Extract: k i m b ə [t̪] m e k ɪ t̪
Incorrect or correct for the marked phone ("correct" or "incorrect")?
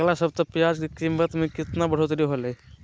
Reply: correct